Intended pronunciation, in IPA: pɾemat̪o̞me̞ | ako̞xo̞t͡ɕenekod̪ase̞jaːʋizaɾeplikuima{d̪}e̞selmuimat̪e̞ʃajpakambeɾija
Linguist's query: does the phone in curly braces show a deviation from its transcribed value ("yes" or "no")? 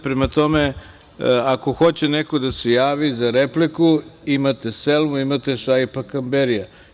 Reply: yes